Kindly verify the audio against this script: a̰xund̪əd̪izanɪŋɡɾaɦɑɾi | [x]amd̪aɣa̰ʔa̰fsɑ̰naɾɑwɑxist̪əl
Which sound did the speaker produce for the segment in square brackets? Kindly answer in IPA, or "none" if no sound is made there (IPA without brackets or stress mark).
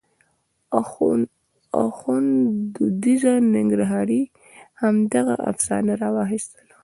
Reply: h